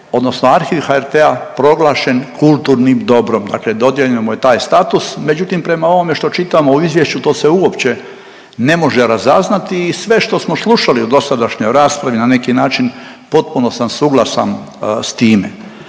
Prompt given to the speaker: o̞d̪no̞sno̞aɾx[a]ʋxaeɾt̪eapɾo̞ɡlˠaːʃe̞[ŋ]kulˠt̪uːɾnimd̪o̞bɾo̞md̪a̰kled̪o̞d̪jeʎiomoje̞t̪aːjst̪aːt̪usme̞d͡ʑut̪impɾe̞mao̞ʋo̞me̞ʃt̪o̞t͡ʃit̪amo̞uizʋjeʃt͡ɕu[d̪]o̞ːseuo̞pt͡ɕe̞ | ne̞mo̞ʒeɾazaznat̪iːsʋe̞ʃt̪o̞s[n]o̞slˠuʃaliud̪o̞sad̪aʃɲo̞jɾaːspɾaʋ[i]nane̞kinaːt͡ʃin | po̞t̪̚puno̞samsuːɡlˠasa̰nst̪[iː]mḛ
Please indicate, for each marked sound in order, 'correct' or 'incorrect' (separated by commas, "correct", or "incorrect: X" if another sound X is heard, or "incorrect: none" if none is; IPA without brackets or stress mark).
incorrect: i, incorrect: n, incorrect: t̪, incorrect: m, correct, correct